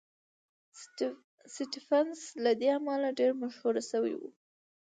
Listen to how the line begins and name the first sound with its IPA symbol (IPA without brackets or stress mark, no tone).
s